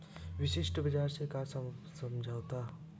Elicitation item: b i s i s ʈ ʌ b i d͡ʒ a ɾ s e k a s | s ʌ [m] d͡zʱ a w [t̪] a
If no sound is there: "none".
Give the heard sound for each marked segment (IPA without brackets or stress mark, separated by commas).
m, t̪